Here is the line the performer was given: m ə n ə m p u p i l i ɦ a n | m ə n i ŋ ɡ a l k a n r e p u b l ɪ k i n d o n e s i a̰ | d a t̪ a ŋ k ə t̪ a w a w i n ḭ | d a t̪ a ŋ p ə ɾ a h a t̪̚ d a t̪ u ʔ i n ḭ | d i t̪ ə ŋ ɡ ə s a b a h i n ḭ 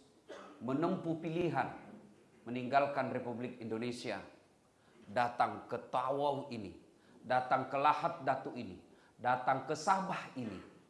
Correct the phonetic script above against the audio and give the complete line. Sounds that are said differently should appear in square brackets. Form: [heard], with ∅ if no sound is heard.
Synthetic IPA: m ə n ə m p u p i l i ɦ a n | m ə n i ŋ ɡ a l k a n r e p u b l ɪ k i n d o n e s i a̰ | d a t̪ a ŋ k ə t̪ a w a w i n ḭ | d a t̪ a ŋ [k] ə [l] a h a t̪̚ d a t̪ u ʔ i n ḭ | d [a] t̪ [a] ŋ [k] ə s a b a h i n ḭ